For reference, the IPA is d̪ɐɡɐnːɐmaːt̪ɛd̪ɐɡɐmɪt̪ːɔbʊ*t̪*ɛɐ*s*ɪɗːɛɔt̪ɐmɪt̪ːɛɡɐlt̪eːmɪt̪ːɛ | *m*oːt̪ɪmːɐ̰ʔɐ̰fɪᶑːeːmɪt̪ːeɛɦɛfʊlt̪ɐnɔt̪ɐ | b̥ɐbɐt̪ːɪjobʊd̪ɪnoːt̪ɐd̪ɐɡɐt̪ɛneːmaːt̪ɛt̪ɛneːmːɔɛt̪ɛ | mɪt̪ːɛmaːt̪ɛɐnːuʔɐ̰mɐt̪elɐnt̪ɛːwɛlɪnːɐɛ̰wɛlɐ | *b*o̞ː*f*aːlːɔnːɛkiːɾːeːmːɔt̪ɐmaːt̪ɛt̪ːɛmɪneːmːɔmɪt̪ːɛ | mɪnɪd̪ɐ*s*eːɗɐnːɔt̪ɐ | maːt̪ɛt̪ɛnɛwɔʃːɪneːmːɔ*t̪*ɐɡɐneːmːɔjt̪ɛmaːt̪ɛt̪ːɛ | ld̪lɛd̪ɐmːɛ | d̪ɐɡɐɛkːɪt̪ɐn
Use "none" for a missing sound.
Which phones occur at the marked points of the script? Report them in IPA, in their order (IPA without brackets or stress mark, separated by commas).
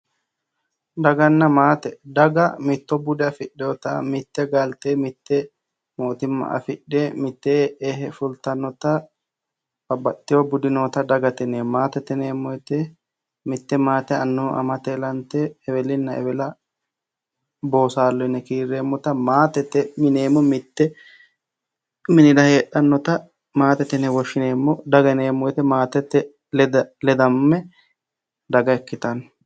d̪, f, m, b, s, h, d̪